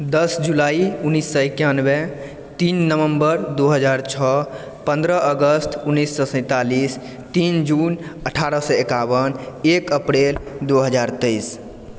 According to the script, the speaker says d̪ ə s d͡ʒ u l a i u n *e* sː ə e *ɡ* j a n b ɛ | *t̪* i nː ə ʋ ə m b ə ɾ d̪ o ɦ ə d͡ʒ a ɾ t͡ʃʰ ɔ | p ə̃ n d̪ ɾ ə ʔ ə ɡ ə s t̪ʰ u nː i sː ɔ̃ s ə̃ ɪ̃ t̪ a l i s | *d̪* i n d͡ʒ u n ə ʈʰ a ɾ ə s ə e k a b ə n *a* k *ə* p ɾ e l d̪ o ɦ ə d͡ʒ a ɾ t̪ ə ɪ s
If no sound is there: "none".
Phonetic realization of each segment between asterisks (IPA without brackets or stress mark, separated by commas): i, k, t̪, t̪, e, ə